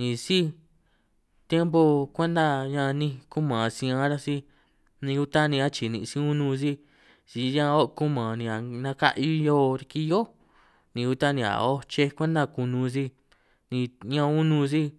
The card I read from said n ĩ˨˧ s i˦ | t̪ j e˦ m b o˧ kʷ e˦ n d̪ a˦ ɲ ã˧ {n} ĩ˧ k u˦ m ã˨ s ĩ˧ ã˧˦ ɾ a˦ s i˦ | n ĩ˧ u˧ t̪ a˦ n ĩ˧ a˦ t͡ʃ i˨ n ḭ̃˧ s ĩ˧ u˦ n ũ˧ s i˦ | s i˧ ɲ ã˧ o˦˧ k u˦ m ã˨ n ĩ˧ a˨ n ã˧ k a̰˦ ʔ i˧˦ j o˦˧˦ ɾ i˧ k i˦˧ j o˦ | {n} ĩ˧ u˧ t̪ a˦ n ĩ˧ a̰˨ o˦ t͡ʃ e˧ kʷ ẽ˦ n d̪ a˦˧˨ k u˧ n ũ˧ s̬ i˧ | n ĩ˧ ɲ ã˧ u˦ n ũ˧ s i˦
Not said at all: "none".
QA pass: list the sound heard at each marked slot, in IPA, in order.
n, n

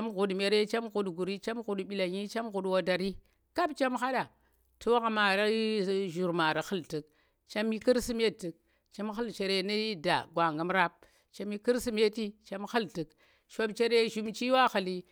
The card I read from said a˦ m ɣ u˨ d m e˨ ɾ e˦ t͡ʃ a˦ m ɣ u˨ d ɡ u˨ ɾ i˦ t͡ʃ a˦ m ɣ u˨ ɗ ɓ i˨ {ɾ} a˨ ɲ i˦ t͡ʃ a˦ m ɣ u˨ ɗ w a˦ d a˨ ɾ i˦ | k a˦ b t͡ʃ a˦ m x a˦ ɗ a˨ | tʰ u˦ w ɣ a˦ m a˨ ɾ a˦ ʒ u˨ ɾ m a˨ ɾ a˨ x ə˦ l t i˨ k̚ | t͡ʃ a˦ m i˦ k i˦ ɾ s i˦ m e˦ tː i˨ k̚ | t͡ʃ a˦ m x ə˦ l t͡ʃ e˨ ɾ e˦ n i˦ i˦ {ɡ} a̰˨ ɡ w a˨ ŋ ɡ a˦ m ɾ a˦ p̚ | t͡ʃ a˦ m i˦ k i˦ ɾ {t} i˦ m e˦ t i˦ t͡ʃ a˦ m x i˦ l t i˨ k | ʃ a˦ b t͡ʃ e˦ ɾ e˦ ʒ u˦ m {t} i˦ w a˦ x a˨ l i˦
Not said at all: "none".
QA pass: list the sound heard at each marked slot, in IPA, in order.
l, d, s, t͡ʃ

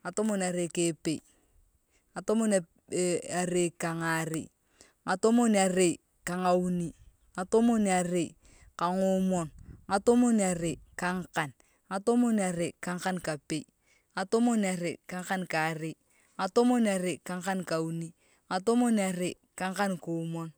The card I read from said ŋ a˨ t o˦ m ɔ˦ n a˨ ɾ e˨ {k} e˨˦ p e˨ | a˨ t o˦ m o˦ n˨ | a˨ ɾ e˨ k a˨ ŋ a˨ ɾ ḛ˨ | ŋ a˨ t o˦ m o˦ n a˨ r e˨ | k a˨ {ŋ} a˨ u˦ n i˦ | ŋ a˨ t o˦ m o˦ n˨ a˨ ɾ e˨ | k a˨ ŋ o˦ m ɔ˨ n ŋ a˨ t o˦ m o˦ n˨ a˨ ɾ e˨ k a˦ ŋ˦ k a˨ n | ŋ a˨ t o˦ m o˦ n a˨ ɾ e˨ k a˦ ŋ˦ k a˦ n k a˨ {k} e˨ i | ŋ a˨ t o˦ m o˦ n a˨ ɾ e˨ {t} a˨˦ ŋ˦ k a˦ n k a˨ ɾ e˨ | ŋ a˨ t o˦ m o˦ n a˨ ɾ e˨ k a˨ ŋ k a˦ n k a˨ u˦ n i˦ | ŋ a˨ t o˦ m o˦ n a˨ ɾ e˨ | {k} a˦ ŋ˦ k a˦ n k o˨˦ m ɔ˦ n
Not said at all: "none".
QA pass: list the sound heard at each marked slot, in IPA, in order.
k, ŋ, p, k, k

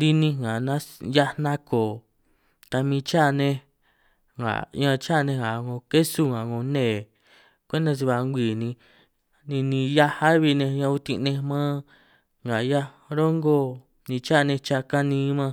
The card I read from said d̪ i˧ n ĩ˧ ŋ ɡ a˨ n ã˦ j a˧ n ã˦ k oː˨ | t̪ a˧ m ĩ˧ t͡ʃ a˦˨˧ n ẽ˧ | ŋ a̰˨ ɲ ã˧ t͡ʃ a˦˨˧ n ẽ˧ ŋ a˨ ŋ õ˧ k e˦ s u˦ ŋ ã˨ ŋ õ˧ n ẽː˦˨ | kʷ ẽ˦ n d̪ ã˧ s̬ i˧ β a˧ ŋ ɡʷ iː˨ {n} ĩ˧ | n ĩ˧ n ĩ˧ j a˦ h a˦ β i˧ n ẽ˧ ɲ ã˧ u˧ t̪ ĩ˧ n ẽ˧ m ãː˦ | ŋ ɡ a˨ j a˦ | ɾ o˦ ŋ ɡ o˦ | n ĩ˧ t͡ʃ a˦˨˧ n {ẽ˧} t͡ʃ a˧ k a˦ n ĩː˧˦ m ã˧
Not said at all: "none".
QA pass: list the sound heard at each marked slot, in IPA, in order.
n, ẽ˧

